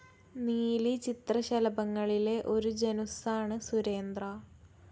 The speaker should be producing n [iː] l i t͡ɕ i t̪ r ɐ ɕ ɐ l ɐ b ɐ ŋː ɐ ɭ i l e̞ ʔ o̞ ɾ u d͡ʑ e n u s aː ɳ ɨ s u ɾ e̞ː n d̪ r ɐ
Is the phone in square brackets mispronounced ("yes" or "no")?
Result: no